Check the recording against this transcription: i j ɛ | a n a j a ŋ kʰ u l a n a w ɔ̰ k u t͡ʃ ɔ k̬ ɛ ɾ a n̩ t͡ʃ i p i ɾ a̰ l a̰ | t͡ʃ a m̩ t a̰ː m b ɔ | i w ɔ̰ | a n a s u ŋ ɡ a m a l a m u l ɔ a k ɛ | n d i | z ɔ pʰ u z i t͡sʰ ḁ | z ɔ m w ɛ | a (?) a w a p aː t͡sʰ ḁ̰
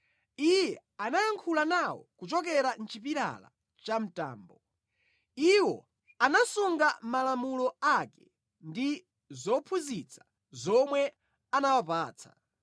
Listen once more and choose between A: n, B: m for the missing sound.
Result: A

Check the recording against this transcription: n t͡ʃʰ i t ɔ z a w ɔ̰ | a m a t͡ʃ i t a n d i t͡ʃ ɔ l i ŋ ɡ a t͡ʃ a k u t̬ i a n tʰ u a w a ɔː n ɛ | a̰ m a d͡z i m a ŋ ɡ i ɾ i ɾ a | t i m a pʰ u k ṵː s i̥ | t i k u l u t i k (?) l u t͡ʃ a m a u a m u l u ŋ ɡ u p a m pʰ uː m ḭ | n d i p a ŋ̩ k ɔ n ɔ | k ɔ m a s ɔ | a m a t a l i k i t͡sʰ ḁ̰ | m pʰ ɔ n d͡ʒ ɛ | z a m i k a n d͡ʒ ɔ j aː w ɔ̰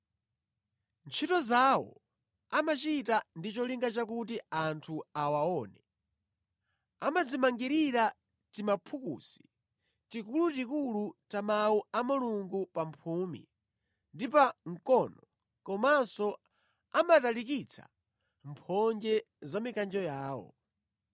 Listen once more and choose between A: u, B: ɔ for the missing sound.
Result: A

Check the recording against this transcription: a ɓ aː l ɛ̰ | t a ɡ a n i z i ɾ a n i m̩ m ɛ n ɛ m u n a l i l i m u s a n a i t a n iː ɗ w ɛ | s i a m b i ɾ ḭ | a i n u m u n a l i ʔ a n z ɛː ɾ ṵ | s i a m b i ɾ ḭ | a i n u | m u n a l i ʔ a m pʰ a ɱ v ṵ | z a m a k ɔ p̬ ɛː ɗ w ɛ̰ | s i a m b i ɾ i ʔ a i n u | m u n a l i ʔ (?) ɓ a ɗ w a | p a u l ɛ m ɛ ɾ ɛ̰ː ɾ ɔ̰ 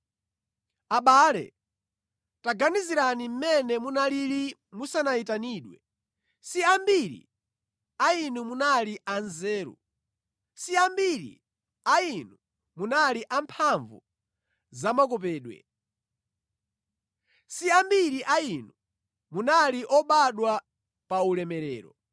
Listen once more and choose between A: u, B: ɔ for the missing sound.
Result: B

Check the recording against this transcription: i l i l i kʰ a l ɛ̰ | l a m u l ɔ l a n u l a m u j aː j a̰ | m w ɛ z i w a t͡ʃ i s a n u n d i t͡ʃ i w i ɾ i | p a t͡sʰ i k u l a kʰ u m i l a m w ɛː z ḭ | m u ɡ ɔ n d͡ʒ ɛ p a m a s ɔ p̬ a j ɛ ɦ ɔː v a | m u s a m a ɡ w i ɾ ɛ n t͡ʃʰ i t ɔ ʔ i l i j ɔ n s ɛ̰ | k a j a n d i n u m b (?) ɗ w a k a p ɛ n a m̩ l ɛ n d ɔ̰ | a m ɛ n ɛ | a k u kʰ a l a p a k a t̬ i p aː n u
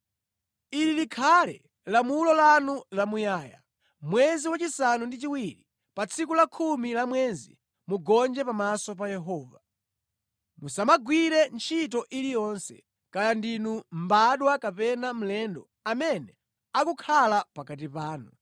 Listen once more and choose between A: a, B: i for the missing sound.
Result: A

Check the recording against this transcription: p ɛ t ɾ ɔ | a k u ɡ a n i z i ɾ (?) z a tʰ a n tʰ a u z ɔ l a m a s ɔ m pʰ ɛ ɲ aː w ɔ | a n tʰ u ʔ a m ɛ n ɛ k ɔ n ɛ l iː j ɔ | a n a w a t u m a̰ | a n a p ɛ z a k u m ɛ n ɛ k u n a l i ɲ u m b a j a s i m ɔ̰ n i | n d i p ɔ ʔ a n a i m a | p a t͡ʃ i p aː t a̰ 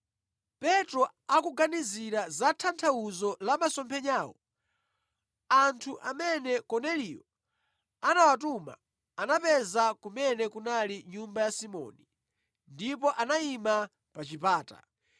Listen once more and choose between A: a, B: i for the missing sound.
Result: A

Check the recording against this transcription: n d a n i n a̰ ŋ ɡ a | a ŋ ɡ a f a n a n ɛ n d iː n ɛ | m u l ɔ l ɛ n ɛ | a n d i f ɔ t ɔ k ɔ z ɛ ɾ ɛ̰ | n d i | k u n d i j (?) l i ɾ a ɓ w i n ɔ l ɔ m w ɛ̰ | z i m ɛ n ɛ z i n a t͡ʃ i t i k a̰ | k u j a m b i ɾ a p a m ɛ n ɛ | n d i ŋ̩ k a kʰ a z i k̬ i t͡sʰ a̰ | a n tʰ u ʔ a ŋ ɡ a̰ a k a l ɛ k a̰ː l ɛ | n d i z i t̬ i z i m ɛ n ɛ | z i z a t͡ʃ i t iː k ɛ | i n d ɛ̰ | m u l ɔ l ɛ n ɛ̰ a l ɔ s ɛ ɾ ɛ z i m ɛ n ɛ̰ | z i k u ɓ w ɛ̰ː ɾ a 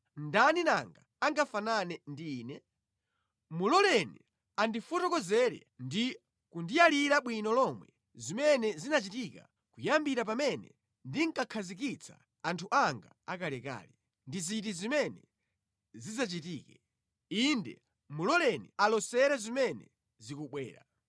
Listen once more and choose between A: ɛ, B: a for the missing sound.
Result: B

